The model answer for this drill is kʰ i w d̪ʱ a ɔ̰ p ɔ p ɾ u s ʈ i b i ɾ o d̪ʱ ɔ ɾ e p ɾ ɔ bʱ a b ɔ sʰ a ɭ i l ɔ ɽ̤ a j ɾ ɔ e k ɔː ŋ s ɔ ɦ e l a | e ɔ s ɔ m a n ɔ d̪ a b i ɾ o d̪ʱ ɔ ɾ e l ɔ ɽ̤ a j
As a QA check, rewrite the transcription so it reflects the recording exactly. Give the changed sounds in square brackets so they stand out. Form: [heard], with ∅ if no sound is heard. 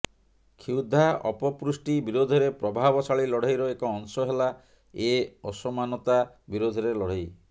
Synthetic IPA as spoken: kʰ i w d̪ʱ a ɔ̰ p ɔ p ɾ u s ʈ i b i ɾ o d̪ʱ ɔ ɾ e p ɾ ɔ bʱ a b ɔ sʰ a ɭ i l ɔ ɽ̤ a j ɾ ɔ e k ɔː ŋ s ɔ ɦ e l a | e ɔ s ɔ m a n ɔ [t̪] a b i ɾ o d̪ʱ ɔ ɾ e l ɔ ɽ̤ a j